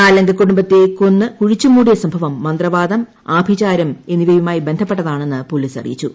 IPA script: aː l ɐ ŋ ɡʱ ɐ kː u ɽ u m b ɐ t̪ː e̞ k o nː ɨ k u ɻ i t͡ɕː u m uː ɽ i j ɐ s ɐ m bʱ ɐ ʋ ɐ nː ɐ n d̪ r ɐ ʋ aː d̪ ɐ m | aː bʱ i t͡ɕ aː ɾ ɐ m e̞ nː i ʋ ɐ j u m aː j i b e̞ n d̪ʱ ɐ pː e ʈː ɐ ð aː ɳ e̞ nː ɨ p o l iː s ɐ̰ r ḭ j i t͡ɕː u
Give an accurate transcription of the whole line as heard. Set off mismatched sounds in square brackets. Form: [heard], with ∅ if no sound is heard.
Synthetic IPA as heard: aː l ɐ ŋ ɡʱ ɐ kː u ɽ u m b ɐ t̪ː e̞ k o nː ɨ k u ɻ i t͡ɕː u m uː ɽ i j ɐ s ɐ m bʱ ɐ ʋ ɐ [mː] ɐ n d̪ r ɐ ʋ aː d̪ ɐ m | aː bʱ i t͡ɕ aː ɾ ɐ m e̞ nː i ʋ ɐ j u m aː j i b e̞ n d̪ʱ ɐ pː e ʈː ɐ ð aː ɳ e̞ nː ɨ p o l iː s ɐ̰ r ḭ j i t͡ɕː u